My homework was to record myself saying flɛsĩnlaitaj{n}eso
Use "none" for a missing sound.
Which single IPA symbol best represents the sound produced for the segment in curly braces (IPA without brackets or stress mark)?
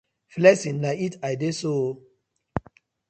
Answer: d